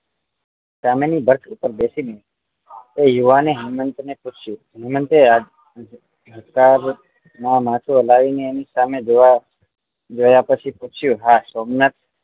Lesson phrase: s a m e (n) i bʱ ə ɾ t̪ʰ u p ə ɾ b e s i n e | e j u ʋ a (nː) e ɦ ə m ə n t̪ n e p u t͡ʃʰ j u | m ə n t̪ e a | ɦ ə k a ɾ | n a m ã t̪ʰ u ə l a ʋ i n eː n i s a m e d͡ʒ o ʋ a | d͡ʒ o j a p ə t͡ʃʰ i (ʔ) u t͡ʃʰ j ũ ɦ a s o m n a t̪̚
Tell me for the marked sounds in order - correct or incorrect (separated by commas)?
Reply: correct, incorrect, incorrect